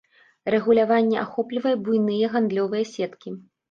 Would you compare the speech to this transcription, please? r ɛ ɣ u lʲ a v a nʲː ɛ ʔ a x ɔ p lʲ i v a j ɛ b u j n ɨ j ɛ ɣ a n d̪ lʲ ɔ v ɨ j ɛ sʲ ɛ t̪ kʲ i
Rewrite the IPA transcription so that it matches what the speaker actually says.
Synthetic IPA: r ɛ ɣ u lʲ a v a nʲː ɛ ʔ a x ɔ p lʲ i v ɐ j ɛ b u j n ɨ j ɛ ɣ a n d̪ lʲ ɔ v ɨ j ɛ sʲ ɛ t̪ kʲ i